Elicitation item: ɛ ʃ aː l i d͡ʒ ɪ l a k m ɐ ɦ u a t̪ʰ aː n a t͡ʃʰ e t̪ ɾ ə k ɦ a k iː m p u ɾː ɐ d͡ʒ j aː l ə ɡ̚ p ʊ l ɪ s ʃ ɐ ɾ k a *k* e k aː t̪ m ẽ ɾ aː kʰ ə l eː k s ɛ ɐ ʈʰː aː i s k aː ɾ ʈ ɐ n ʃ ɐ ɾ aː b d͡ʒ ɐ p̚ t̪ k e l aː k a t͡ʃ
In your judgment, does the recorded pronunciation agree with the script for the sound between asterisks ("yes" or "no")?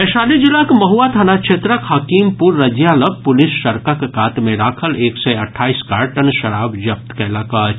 yes